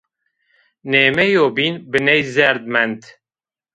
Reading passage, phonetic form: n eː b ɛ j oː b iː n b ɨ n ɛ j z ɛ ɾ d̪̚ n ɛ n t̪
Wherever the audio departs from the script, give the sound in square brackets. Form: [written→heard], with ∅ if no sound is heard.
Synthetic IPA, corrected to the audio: n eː [b→m] ɛ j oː b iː n b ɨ n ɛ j z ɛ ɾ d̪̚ [n→m] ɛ n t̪